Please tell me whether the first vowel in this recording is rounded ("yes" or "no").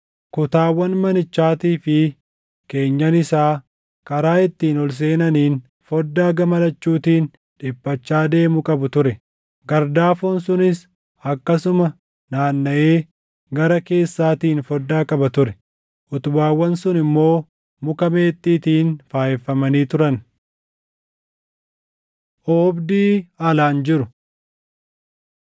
yes